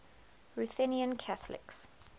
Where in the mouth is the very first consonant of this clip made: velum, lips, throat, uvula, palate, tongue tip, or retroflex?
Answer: tongue tip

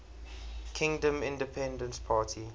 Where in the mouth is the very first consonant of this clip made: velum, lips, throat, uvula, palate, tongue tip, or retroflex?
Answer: velum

